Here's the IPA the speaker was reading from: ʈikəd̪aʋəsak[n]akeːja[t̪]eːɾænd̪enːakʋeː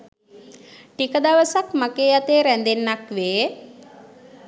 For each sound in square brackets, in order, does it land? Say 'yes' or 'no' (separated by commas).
no, yes